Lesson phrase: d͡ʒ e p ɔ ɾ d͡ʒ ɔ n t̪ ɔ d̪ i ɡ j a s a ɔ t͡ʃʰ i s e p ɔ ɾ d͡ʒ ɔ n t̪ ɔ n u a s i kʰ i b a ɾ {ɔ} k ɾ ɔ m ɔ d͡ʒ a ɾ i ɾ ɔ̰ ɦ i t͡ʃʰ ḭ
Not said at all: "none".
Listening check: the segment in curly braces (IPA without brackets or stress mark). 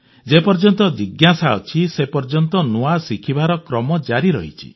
ɔ